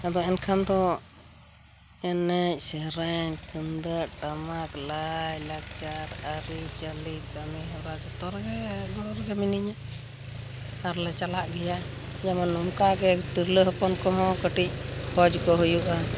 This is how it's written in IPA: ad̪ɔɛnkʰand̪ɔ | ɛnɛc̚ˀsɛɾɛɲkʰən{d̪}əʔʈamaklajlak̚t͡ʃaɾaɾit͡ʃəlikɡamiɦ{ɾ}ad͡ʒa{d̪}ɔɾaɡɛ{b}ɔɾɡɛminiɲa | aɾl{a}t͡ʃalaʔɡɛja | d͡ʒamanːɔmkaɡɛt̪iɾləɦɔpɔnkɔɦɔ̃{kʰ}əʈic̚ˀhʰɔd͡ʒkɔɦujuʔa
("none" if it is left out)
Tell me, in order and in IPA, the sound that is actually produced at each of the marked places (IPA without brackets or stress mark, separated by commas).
d̪, ɾ, t̪, ɡ, ɛ, k